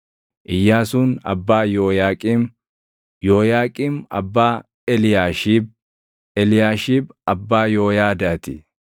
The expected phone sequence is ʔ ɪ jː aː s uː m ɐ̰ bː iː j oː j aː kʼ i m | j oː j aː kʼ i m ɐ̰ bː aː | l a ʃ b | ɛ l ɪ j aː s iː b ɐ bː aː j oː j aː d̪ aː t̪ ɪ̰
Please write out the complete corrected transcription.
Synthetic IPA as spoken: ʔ ɪ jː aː s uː n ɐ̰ bː aː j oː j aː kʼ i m | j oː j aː kʼ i m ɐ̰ bː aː | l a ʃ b | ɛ l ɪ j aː ʃ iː b ɐ bː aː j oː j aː d̪ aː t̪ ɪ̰